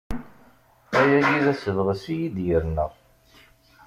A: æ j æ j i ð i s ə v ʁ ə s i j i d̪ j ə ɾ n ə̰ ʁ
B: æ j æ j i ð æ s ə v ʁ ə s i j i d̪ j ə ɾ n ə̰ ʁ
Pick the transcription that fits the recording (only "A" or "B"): B